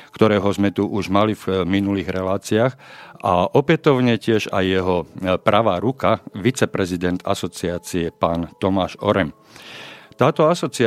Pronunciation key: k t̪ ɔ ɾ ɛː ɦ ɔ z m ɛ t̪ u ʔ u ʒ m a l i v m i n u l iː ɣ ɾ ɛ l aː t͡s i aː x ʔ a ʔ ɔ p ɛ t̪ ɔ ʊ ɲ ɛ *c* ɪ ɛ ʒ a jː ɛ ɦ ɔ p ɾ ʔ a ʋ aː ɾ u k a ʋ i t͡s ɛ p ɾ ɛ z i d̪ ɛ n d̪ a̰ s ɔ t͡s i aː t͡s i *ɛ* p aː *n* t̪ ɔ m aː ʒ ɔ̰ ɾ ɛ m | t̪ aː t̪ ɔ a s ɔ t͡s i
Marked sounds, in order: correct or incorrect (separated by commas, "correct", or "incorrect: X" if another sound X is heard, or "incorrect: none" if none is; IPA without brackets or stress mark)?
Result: correct, correct, correct